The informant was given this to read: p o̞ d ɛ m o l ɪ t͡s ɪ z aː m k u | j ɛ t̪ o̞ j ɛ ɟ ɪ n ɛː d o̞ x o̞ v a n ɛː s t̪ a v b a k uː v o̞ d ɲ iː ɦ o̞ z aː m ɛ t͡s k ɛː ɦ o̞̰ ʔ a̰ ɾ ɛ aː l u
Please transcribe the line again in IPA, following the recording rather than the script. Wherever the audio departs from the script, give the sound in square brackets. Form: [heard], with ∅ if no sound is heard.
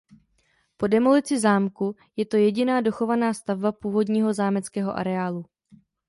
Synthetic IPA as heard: p o̞ d ɛ m o l ɪ t͡s ɪ z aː m k u | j ɛ t̪ o̞ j ɛ ɟ ɪ n [aː] d o̞ x o̞ v a n [aː] s t̪ a v b a [p] uː v o̞ d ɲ iː ɦ o̞ z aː m ɛ t͡s k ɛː ɦ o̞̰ ʔ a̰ ɾ ɛ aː l u